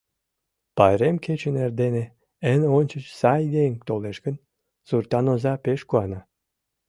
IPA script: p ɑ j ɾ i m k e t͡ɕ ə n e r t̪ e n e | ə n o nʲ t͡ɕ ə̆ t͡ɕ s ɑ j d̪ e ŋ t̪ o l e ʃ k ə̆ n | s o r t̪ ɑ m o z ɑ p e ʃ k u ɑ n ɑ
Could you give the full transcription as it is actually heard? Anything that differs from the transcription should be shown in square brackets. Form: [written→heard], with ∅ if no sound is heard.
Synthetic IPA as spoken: p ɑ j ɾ [i→e] m k e t͡ɕ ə n e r [t̪→d̪] e n e | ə n o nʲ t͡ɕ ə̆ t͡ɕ s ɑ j d̪ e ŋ t̪ o l e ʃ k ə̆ n | s [o→u] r t̪ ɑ [m→n] o z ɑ p e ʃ k u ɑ n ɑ